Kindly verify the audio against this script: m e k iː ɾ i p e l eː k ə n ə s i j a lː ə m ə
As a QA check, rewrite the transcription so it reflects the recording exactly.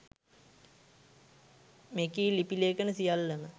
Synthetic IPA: m e k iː l i p i l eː k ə n ə s i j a lː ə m ə